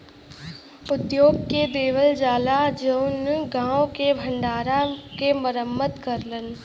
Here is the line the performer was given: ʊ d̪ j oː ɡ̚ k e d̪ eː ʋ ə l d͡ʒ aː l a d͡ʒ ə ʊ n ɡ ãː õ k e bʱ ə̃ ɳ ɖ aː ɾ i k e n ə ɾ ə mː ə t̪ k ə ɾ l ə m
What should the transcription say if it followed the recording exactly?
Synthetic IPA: ʊ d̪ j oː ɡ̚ k e d̪ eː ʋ ə l d͡ʒ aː l a d͡ʒ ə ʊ n ɡ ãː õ k e bʱ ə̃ ɳ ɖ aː ɾ a k e m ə ɾ ə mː ə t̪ k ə ɾ l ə n